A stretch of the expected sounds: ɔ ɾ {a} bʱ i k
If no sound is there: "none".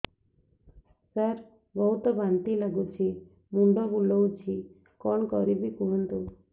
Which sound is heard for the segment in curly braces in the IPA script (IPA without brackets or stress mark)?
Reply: i